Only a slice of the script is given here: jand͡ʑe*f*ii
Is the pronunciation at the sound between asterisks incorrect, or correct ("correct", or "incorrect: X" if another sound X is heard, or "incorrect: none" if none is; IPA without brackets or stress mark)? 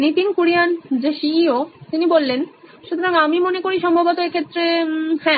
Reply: incorrect: ʃ